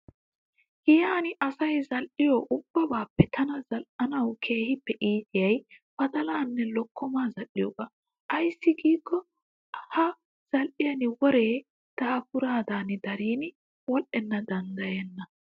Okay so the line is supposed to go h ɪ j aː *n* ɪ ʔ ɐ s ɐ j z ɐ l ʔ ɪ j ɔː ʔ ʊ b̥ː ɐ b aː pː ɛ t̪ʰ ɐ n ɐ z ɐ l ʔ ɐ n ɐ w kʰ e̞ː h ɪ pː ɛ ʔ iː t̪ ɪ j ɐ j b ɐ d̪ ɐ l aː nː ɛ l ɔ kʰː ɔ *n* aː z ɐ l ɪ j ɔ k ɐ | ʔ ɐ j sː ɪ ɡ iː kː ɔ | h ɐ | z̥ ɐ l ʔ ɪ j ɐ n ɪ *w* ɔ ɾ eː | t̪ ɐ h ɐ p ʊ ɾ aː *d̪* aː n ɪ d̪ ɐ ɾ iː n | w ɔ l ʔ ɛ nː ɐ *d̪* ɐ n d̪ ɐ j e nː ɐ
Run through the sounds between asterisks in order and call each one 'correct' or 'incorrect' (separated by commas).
correct, incorrect, correct, correct, correct